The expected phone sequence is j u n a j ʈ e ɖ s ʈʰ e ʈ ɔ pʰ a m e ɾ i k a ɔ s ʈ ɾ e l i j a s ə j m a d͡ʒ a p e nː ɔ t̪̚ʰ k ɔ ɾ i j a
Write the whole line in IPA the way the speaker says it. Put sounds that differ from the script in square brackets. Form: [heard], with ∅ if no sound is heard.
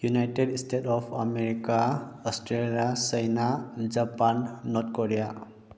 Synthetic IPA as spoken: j u n a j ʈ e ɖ s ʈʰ e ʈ ɔ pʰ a m e ɾ i k a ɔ s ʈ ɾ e l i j a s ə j [n] a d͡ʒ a p [a] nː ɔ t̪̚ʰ k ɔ ɾ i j a